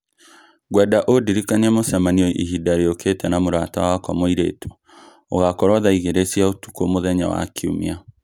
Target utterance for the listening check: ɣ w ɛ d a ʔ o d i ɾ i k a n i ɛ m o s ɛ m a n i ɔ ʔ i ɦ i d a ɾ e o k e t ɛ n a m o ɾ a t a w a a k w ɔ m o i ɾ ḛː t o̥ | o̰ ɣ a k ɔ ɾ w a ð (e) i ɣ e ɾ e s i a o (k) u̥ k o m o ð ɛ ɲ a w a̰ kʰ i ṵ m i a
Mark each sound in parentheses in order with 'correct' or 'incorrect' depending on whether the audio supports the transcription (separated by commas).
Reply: incorrect, incorrect